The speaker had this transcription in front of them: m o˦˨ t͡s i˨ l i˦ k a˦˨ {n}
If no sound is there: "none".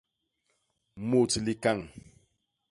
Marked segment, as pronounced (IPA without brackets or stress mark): ŋ